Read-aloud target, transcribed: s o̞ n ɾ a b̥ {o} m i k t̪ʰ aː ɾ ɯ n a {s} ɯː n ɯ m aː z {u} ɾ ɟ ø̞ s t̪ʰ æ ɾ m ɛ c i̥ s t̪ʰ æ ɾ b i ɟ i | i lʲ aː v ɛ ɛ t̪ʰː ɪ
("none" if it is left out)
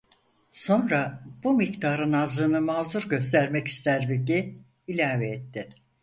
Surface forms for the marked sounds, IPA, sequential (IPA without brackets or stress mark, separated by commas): u, z, u